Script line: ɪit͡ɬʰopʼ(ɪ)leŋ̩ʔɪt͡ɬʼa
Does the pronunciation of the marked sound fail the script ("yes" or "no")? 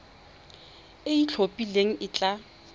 yes